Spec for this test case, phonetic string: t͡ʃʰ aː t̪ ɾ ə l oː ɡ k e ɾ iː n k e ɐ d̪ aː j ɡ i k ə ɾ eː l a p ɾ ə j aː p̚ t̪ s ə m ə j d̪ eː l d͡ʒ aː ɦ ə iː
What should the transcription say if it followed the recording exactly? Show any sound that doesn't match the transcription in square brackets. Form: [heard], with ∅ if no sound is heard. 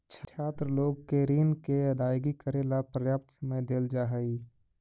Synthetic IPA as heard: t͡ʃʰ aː t̪ ɾ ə l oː ɡ k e ɾ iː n k e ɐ d̪ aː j ɡ i k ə ɾ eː l a p ɾ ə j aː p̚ t̪ s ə m ə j d̪ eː l d͡ʒ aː ɦ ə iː